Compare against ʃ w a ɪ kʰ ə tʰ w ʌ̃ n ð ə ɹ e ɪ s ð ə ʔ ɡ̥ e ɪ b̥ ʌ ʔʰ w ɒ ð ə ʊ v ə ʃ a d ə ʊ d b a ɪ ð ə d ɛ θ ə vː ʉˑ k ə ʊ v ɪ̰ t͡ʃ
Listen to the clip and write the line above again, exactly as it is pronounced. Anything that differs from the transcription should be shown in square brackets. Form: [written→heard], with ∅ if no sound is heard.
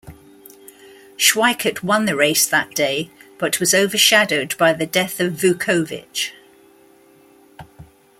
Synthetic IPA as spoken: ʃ w a ɪ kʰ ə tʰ w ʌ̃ n ð ə ɹ e ɪ s ð ə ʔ [ɡ̥→d̥] e ɪ b̥ ʌ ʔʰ w ɒ [ð→z] ə ʊ v ə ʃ a d ə ʊ d b a ɪ ð ə d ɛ θ ə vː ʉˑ [k→kʰ] ə ʊ v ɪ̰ t͡ʃ